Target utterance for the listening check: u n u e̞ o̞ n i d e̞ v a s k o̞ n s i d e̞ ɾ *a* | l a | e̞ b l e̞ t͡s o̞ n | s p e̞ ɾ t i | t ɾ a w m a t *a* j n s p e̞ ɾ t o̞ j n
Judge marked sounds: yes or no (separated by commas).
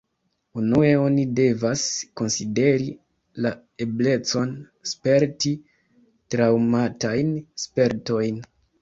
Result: no, yes